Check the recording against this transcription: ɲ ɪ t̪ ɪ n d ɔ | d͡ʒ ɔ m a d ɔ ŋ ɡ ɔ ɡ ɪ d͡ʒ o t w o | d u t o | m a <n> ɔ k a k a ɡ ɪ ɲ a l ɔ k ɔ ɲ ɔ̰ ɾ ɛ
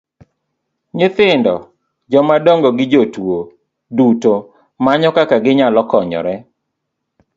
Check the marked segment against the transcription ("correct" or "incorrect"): incorrect